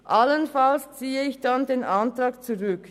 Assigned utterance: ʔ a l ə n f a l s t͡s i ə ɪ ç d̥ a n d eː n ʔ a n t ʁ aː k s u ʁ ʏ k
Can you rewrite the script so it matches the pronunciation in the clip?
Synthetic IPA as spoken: ʔ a l ə n f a l s t͡s iː ə ɪ ç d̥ a n d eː n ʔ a n t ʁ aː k t͡s u ʁ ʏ k